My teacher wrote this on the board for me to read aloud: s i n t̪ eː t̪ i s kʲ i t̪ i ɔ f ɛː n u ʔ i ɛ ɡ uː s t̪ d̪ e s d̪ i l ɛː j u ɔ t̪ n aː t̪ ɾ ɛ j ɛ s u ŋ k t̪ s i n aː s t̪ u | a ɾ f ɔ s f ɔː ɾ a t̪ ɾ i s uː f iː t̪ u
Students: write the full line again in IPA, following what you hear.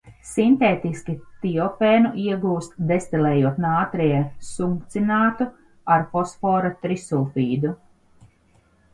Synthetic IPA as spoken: s i n t̪ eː t̪ i s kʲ i t̪ i ɔ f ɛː n u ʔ i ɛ ɡ uː s t̪ d̪ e s t̪ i l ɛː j u ɔ t̪ n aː t̪ ɾ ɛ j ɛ s u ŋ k t̪ s i n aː t̪ u | a ɾ f ɔ s f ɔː ɾ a t̪ ɾ i s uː f iː d̪ u